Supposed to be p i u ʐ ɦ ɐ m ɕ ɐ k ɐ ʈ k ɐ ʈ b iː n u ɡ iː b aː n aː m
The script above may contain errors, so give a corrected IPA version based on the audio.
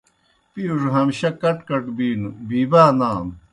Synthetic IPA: p i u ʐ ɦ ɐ m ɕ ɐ k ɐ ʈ k ɐ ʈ b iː n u b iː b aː n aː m